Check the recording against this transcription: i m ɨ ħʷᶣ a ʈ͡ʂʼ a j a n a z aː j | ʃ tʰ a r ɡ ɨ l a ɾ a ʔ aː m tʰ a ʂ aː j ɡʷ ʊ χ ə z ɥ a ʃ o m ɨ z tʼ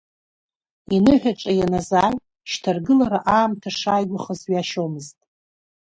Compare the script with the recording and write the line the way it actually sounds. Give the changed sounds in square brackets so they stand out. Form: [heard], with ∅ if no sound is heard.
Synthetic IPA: i [n] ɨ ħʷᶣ a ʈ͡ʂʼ a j a n a z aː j | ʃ tʰ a r ɡ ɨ l a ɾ a ʔ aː m tʰ a ʂ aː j ɡʷ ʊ χ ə z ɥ a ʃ o m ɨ z tʼ